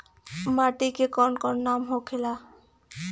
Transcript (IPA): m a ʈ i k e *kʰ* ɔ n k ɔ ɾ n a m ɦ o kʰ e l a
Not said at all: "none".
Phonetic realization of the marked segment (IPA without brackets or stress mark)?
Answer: k